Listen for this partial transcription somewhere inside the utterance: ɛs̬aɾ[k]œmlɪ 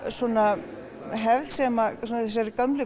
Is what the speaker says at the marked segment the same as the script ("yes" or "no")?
yes